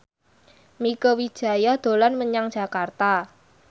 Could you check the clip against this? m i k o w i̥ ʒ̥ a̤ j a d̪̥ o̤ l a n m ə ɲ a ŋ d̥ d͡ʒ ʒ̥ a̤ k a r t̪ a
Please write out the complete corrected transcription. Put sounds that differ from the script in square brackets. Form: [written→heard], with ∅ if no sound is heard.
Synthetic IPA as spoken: m i k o w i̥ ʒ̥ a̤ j a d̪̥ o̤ l a n m ə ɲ a ŋ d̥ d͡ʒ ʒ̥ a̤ k a r t̪ a

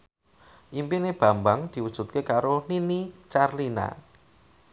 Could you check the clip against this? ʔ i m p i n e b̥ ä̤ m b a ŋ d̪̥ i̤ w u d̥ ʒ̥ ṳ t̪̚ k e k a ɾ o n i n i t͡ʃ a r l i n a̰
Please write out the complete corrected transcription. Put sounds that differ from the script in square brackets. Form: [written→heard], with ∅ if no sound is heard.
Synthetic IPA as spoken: ʔ i m p i n e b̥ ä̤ m b a ŋ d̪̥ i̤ w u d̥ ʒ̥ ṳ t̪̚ k e k a ɾ o n i n i t͡ʃ a r l i n a̰

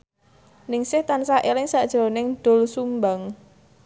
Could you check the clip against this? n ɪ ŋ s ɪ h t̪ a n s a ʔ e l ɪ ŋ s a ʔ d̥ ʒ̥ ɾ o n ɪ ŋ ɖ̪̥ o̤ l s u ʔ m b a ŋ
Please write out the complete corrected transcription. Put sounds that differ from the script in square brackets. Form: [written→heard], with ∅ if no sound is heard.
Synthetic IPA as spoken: n ɪ ŋ s ɪ h t̪ a n s a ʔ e l ɪ ŋ s a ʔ d̥ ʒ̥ ɾ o n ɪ ŋ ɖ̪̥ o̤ l s u [ʔ→∅] m b a ŋ

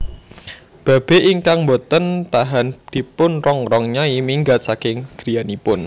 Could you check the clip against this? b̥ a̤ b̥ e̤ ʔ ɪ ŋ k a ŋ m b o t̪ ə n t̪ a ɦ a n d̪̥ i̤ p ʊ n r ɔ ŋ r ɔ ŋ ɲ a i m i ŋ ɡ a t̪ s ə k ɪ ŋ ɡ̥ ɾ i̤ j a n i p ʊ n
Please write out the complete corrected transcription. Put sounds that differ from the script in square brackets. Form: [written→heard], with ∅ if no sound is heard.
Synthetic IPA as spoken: b̥ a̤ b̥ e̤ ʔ [ɪ→i] ŋ k a ŋ m b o t̪ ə n t̪ a ɦ a n d̪̥ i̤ p ʊ n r ɔ ŋ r ɔ ŋ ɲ a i m i ŋ ɡ a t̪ s [ə→a] k ɪ ŋ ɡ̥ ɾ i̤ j a n i p ʊ n

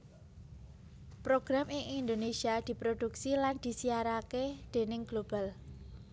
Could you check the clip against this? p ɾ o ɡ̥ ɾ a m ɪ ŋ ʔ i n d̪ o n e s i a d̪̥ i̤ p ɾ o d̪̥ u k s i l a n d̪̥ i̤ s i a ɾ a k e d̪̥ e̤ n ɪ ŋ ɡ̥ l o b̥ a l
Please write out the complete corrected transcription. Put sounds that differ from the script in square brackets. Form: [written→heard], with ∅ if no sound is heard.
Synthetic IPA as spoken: p ɾ o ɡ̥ ɾ a m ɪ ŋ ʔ i n d̪ o n e s i a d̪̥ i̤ p ɾ o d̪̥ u k s i l a n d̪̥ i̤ s i a ɾ a k e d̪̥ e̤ n ɪ ŋ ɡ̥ l o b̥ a l

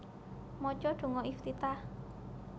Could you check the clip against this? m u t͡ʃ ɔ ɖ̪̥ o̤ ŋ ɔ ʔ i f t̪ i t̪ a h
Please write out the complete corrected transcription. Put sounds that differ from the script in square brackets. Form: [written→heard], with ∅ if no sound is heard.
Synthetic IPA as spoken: m [u→ɔ] t͡ʃ ɔ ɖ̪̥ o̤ ŋ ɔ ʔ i f t̪ i t̪ a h

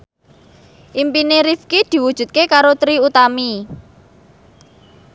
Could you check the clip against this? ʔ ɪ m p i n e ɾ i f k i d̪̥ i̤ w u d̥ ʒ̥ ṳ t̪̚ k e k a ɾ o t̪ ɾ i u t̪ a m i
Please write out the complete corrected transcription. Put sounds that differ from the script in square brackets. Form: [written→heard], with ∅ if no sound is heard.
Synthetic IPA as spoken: ʔ [ɪ→i] m p i n e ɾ i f k i d̪̥ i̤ w u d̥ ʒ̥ ṳ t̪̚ k e k a ɾ o t̪ ɾ i u t̪ a m i

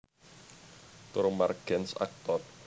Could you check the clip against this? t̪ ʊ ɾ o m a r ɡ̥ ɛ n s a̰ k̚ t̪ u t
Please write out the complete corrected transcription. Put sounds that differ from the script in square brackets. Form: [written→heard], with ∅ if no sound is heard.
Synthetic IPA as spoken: t̪ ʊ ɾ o m a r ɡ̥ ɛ n s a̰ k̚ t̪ [u→ɔ] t

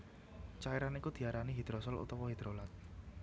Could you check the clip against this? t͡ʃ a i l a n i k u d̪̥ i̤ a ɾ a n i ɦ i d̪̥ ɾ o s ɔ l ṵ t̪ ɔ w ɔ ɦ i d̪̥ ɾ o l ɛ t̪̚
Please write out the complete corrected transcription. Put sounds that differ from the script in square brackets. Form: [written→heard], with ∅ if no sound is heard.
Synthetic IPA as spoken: t͡ʃ a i [l→ɾ] a n i k u d̪̥ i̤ a ɾ a n i ɦ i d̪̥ ɾ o s ɔ l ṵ t̪ ɔ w ɔ ɦ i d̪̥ ɾ o l [ɛ→a] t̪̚

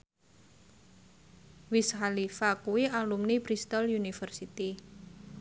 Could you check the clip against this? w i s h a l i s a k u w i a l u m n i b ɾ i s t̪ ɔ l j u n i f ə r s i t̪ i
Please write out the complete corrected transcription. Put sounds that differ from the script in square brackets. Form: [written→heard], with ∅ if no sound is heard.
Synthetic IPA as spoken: w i s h a l i [s→f] a k u w i a l u m n i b ɾ i s t̪ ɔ l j u n i f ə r s i t̪ i

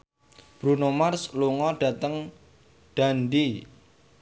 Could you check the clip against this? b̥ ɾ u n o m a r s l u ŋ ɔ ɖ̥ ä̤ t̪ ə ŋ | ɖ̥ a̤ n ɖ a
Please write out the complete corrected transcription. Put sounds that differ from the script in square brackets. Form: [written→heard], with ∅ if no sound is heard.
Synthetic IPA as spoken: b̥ ɾ u n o m a r s l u ŋ ɔ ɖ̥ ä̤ t̪ ə ŋ | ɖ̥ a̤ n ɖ [a→i]

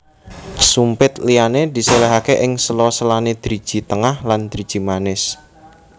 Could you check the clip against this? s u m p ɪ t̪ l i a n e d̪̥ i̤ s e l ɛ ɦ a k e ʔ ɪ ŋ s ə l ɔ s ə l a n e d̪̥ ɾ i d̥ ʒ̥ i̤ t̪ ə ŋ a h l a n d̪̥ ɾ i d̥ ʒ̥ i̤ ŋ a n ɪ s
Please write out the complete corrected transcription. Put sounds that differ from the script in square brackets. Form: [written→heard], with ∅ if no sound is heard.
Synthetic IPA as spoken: s u m p ɪ t̪ l i a n e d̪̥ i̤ s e l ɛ ɦ a k e ʔ ɪ ŋ s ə l ɔ s ə l a n e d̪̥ ɾ i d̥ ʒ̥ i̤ t̪ ə ŋ a h l a n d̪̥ ɾ i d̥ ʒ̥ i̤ [ŋ→m] a n ɪ s

